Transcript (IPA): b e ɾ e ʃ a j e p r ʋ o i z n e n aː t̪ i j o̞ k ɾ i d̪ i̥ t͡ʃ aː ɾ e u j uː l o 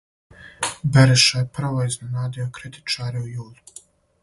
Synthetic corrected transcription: b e ɾ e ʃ a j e p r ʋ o i z n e n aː d̪ i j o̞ k ɾ i t̪ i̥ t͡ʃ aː ɾ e u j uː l u